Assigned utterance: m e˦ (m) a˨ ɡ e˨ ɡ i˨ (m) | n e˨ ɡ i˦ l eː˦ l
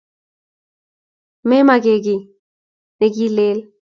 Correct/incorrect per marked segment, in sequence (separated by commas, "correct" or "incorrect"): correct, incorrect